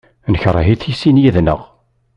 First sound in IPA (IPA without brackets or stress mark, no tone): n